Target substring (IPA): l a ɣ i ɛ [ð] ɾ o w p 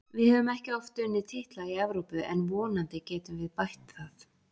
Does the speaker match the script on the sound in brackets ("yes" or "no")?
no